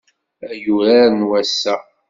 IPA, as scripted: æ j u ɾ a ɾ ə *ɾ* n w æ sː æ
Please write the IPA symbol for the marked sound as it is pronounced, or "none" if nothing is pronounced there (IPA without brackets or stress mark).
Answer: none